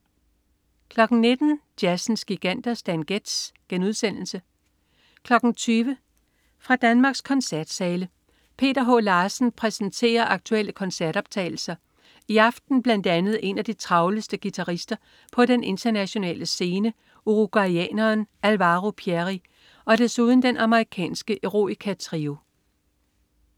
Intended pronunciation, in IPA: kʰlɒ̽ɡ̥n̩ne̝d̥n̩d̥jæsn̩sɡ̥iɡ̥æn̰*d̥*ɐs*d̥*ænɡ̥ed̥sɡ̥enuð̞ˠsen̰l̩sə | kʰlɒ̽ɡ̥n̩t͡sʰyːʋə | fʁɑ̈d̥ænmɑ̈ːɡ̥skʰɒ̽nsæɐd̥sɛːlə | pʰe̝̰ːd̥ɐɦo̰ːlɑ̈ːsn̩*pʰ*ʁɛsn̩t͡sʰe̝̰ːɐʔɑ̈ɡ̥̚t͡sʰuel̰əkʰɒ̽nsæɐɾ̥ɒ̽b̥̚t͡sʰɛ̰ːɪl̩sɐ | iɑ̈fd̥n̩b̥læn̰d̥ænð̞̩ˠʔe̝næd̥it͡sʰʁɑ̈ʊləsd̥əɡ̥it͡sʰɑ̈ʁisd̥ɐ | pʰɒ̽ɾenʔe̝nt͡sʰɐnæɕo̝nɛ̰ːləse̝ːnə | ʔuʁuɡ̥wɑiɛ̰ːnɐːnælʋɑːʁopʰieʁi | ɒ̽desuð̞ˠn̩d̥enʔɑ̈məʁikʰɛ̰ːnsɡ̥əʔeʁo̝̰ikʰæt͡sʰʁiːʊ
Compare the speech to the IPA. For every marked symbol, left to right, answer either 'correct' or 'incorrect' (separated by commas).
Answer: correct, correct, correct